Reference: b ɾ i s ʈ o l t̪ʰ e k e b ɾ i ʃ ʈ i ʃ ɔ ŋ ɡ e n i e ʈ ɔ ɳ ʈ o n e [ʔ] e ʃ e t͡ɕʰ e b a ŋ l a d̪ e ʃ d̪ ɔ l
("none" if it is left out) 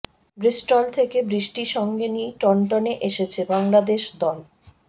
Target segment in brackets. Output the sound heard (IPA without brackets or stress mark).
ʔ